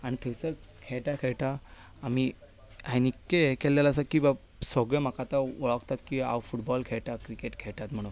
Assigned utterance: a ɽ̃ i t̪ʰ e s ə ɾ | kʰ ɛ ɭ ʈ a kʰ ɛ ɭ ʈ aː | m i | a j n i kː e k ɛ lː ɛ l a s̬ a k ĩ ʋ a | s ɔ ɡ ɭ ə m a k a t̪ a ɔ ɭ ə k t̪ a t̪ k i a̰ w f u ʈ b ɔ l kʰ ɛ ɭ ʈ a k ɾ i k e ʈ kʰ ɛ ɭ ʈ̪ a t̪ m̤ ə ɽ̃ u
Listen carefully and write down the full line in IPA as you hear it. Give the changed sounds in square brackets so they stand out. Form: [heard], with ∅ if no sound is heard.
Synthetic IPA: a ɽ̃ i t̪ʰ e s ə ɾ | kʰ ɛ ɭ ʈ a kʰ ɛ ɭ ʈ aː | m i | a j n i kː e k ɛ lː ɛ l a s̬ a k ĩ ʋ a | s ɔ ɡ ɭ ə m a k a t̪ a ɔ ɭ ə k t̪ a t̪ k i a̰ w f u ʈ b ɔ l kʰ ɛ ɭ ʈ a k ɾ i k e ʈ kʰ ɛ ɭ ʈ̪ a t̪ m̤ ə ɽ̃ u